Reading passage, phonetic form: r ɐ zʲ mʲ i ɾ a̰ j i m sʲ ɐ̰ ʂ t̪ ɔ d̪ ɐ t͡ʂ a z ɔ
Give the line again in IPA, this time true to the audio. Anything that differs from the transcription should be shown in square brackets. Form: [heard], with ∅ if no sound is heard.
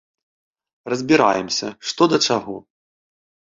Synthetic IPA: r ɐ zʲ [bʲ] i ɾ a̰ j [ɛ] m sʲ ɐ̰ ʂ t̪ ɔ d̪ ɐ t͡ʂ a [ɣ] ɔ